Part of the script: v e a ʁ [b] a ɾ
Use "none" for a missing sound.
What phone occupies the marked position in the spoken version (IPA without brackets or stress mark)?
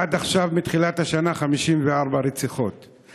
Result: b